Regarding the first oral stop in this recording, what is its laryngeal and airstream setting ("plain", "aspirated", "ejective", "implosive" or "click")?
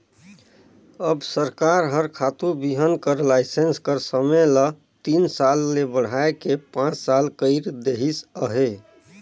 plain